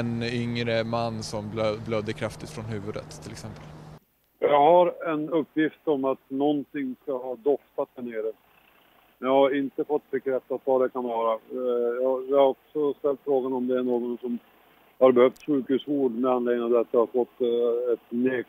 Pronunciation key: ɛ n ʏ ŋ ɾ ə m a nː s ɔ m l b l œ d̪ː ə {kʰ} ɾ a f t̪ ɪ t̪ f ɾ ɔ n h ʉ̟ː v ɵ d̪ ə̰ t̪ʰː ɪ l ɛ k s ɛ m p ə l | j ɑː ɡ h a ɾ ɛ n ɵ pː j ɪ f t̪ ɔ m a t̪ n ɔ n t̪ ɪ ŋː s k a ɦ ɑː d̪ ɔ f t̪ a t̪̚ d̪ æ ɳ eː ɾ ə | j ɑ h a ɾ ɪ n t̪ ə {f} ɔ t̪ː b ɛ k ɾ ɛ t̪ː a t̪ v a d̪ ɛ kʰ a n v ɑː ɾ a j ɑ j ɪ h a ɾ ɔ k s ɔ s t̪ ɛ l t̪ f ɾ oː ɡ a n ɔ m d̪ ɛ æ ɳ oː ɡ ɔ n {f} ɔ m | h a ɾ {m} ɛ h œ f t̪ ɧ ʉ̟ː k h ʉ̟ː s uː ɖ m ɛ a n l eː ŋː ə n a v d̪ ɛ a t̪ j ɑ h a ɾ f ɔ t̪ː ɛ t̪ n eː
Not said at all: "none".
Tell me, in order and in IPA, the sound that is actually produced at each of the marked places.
kʰ, f, s, b

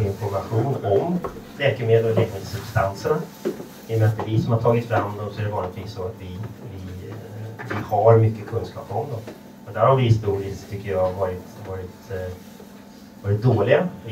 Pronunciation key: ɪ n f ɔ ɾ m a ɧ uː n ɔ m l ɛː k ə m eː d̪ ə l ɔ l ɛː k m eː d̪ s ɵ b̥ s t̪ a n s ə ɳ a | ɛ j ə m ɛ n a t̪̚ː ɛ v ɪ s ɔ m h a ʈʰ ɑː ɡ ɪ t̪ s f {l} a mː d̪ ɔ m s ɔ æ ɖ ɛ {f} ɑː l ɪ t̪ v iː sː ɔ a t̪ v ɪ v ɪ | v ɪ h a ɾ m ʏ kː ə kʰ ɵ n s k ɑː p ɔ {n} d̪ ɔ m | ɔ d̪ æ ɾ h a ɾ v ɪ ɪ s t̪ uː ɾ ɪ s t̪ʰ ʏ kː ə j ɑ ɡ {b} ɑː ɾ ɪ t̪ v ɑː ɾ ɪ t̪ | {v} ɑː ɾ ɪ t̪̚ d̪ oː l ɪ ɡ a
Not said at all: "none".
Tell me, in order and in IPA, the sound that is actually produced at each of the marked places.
ɾ, v, m, v, v

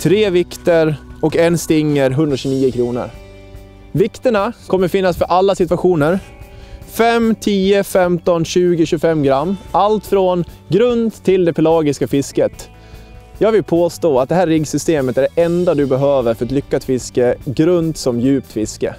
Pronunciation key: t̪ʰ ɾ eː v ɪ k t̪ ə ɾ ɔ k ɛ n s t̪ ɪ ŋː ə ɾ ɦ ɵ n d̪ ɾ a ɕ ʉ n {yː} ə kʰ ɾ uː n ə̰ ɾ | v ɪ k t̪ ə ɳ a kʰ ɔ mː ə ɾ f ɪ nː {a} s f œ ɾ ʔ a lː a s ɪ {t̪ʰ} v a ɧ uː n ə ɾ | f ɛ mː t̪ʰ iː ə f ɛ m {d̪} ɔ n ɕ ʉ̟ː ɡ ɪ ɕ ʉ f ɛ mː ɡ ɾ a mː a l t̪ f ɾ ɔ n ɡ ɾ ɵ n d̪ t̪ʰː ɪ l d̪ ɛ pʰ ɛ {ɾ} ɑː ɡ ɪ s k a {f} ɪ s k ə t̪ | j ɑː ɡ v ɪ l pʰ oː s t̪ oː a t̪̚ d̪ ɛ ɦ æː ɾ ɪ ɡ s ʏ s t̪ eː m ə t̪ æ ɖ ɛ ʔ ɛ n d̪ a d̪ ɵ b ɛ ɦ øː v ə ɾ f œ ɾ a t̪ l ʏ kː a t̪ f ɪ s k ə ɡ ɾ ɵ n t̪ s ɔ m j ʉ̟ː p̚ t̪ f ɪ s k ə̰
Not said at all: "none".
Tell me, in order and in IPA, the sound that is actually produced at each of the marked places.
iː, a, t̪, t̪, l, f

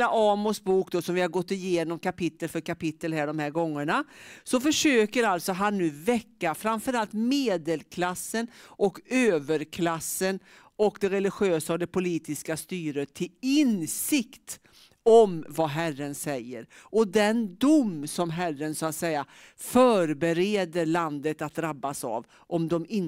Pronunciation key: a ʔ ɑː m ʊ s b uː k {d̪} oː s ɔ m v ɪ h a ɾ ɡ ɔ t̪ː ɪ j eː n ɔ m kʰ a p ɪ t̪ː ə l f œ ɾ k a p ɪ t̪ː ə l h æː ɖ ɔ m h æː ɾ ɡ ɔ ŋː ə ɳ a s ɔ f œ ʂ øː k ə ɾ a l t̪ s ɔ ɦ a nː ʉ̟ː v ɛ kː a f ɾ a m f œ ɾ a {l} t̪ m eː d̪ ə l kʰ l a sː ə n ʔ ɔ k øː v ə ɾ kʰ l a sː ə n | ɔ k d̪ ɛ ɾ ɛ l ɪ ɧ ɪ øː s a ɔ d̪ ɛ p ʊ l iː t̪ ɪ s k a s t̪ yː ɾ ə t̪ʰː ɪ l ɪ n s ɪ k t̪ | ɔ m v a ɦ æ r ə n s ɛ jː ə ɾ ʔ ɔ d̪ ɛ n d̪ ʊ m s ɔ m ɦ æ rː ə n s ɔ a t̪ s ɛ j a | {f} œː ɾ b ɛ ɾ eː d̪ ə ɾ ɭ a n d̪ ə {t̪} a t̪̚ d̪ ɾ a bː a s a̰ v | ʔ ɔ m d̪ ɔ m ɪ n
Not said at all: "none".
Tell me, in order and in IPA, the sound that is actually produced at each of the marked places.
d̪, l, f, t̪

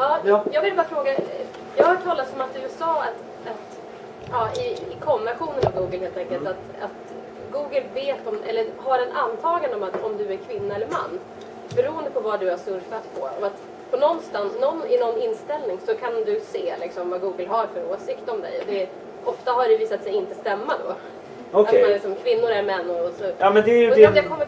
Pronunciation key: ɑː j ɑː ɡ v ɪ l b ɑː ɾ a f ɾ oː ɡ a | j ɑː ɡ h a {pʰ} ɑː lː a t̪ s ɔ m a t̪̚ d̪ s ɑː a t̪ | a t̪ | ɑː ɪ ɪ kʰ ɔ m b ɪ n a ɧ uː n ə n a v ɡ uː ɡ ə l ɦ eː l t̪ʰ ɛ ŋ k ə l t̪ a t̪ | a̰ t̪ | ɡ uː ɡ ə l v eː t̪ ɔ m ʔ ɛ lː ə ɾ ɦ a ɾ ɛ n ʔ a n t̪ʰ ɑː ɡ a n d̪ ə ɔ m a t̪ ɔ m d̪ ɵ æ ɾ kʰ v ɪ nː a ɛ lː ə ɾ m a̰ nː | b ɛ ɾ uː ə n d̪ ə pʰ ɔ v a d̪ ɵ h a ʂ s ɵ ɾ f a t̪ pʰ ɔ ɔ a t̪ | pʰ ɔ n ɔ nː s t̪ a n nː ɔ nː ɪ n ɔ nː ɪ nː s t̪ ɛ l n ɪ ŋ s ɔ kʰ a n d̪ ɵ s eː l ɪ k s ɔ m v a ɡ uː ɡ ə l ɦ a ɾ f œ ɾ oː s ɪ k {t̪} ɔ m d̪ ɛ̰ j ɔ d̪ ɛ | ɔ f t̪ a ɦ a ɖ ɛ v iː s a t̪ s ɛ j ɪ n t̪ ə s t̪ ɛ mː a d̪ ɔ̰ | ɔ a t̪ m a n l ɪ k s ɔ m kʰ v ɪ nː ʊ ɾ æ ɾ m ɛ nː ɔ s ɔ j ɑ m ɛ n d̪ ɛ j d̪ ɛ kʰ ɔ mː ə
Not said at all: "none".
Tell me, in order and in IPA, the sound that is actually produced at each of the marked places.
ʈʰ, t̪

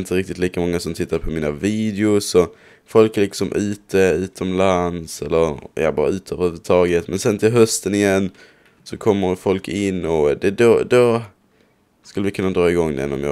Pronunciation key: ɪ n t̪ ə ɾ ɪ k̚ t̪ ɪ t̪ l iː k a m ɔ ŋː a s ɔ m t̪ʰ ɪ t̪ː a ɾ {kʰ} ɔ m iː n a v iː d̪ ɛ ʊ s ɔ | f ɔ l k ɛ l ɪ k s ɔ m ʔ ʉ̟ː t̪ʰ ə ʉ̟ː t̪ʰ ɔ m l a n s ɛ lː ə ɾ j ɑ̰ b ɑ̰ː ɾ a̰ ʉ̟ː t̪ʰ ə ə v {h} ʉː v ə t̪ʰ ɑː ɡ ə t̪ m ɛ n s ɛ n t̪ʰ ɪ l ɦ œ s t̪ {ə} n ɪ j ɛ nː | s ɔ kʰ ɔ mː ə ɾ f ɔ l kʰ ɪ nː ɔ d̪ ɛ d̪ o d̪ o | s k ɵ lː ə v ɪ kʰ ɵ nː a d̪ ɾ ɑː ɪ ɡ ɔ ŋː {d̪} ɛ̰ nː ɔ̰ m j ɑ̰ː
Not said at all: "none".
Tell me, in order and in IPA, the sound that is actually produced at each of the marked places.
pʰ, h, ə, d̪

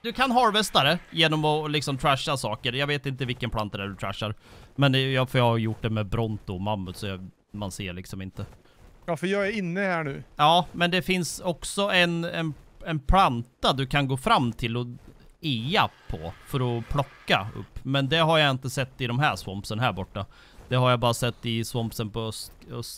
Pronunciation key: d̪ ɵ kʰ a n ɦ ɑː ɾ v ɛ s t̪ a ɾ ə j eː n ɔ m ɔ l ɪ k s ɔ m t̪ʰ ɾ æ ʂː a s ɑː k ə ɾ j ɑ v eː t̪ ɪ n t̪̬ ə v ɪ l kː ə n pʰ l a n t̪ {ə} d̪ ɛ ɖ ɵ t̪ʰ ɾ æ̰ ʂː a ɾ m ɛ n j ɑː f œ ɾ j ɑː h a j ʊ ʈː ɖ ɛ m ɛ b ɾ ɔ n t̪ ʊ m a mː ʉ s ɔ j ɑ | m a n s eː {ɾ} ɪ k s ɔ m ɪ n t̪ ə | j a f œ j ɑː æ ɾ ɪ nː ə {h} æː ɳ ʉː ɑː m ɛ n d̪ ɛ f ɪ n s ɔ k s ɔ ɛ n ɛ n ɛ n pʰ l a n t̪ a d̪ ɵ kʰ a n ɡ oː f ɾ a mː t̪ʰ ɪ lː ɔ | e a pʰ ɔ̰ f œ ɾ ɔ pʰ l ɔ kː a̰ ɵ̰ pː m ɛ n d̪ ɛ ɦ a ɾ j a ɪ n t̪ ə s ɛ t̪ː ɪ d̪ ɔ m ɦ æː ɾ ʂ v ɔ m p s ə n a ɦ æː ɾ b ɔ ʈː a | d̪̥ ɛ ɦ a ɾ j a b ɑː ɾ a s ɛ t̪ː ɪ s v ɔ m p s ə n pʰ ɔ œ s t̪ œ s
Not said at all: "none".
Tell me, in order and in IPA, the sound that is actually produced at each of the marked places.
a, ɭ, h

